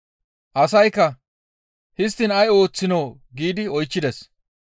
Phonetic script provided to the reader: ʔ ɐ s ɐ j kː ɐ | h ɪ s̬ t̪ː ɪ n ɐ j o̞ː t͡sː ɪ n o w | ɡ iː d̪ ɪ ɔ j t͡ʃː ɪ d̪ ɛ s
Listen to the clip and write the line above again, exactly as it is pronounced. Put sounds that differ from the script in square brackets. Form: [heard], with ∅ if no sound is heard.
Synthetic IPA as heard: ʔ ɐ s ɐ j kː ɐ | h ɪ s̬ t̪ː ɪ n ɐ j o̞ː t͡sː ɪ n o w | ɡ iː d̪ ɪ ɔ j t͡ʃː ɪ d̪ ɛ s